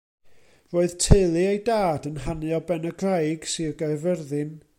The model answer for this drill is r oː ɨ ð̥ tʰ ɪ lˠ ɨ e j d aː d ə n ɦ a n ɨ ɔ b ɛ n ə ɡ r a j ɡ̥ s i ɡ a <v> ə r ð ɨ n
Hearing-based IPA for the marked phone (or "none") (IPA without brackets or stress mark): v